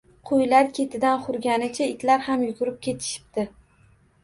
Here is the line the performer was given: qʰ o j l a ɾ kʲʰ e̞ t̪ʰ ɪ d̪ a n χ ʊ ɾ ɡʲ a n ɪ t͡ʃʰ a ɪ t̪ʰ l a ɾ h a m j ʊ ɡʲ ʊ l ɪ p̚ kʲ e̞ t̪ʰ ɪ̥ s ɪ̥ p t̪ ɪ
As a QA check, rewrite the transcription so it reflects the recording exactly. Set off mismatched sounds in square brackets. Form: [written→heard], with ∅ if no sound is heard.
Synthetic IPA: qʰ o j l a ɾ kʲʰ e̞ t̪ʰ ɪ d̪ a n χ ʊ ɾ ɡʲ a n ɪ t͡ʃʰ a ɪ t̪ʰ l a ɾ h a m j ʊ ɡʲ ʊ [l→ɾ] ɪ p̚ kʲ e̞ t̪ʰ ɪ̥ [s→ʃ] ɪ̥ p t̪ ɪ